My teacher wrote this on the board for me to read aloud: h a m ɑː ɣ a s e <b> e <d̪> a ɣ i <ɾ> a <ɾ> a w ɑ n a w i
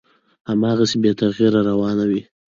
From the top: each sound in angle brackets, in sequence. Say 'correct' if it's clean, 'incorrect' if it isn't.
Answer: correct, incorrect, correct, correct

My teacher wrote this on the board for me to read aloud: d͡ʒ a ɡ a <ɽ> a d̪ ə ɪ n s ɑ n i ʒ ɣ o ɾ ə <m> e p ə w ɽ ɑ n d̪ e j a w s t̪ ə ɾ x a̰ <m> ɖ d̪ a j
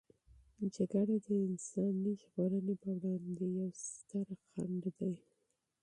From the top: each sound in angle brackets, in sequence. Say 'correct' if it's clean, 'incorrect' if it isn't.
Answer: correct, incorrect, incorrect

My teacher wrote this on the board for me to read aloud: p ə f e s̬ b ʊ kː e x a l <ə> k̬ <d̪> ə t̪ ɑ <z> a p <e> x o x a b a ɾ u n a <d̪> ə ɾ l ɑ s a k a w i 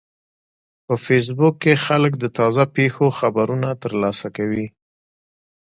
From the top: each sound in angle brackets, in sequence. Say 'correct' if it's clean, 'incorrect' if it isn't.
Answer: correct, correct, correct, correct, incorrect

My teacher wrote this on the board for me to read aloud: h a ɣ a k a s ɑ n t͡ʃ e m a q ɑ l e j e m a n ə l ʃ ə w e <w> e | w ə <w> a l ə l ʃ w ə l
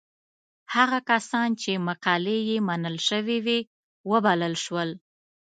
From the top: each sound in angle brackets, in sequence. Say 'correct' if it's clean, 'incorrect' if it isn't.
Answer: correct, incorrect

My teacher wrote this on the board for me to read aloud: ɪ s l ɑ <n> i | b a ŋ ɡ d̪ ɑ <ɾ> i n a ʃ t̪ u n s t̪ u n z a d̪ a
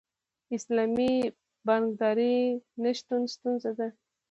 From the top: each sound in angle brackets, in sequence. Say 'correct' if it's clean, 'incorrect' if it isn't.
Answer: incorrect, correct

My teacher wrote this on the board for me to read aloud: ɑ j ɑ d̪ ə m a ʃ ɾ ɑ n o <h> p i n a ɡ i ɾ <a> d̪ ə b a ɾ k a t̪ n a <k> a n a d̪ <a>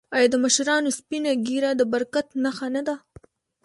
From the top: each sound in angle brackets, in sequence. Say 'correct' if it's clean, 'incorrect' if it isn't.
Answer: incorrect, correct, incorrect, correct

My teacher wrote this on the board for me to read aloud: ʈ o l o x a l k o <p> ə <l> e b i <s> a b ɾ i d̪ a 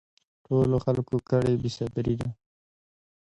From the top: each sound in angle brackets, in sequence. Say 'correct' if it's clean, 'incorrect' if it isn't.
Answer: incorrect, incorrect, correct

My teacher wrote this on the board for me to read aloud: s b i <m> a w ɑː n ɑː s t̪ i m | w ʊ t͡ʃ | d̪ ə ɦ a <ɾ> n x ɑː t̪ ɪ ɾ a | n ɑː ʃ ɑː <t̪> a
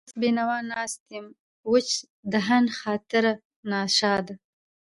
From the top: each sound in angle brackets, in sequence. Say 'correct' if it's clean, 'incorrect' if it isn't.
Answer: incorrect, incorrect, incorrect

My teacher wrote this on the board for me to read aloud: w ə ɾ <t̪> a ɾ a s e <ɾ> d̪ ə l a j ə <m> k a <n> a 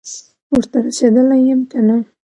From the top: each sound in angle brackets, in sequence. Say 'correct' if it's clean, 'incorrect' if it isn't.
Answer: correct, incorrect, correct, correct

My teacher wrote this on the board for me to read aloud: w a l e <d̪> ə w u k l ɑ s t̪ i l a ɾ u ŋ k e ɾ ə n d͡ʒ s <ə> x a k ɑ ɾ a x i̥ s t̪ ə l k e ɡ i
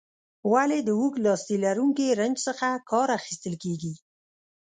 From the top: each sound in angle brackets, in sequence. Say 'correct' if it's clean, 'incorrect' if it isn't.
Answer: correct, correct

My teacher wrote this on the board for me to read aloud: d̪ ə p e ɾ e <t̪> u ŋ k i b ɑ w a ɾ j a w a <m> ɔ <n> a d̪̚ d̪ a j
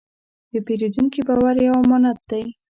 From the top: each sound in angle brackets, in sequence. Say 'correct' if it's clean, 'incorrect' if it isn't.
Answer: incorrect, correct, correct

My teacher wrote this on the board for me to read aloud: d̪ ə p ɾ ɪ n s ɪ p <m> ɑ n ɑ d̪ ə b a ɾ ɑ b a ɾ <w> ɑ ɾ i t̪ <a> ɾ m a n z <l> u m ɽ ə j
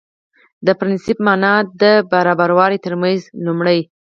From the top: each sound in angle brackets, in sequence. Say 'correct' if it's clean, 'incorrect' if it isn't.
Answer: correct, correct, incorrect, correct

